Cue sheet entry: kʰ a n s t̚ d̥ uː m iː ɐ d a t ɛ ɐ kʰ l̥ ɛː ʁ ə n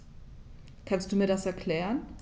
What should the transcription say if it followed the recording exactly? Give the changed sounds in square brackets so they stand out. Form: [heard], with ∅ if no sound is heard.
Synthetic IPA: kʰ a n s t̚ d̥ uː m iː ɐ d a [s] ɛ ɐ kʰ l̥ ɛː ʁ ə n